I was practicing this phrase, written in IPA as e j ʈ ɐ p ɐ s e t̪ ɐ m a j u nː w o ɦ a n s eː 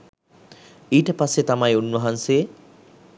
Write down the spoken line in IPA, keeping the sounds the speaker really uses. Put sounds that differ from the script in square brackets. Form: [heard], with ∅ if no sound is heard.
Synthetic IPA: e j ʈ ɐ p [a] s e t̪ [a] m a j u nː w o ɦ a n s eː